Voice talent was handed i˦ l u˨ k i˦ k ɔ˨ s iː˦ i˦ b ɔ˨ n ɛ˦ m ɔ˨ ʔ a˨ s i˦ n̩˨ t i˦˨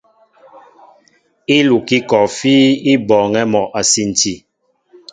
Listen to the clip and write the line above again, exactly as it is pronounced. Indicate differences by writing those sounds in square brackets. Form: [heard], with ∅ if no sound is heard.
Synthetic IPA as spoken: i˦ l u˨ k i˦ k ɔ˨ [f] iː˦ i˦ b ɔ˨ [ŋ] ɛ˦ m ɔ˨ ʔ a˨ s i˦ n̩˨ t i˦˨